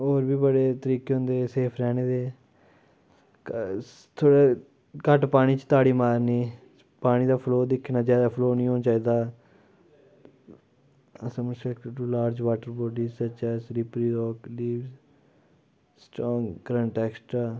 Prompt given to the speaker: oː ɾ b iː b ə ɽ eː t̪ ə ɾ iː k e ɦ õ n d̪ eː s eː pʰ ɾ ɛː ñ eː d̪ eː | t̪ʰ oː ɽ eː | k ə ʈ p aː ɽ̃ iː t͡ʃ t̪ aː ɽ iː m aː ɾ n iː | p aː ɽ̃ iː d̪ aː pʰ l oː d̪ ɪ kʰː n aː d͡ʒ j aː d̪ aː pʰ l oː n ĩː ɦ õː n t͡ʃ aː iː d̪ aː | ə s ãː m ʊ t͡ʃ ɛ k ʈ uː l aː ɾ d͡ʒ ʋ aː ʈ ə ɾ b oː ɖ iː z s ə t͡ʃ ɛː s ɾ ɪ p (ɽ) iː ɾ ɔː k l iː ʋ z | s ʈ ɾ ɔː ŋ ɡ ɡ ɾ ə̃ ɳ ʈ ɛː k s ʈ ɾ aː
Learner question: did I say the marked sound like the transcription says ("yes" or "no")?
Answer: no